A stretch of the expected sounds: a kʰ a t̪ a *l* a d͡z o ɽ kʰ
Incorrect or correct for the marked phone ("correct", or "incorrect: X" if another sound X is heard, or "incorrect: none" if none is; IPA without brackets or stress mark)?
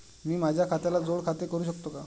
correct